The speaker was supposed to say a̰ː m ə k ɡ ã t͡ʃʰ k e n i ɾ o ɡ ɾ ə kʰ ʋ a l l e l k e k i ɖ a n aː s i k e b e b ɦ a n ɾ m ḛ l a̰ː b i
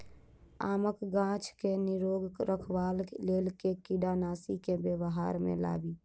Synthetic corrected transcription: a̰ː m ə k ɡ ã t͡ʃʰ k e n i ɾ o ɡ ɾ ə kʰ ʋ a l l e l k e k i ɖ a n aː s i k e b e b ɦ a ɾ m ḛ l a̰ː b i